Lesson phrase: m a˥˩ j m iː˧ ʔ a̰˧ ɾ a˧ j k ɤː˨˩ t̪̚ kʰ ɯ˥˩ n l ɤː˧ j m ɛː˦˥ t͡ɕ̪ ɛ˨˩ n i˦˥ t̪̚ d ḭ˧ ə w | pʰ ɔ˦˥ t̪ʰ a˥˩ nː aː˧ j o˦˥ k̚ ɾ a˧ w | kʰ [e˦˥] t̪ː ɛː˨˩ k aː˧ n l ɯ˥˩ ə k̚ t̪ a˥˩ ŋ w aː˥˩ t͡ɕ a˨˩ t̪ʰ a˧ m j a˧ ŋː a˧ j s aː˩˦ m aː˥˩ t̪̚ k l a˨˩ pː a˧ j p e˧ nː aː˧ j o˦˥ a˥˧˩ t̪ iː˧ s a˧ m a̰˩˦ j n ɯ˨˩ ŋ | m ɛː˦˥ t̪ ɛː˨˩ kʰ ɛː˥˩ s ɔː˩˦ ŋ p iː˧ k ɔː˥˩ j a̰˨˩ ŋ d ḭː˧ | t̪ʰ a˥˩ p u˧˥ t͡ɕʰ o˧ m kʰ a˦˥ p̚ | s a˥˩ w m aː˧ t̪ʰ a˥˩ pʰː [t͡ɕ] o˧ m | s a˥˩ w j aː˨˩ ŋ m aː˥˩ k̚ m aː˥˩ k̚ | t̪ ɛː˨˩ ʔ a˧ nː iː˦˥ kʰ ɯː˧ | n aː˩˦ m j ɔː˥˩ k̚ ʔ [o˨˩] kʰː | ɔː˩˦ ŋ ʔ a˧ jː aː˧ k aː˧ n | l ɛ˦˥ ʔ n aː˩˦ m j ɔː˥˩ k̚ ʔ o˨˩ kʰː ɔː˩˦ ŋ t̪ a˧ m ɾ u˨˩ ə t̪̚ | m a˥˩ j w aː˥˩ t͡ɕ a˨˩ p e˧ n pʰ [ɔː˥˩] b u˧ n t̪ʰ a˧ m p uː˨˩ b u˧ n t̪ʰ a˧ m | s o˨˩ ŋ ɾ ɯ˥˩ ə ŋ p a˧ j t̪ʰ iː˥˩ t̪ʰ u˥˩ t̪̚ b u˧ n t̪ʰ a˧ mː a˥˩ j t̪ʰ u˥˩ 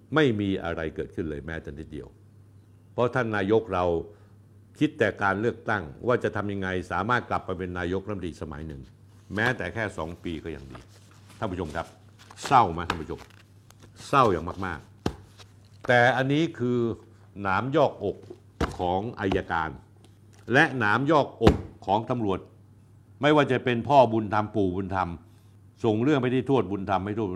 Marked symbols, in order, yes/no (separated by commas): no, no, yes, yes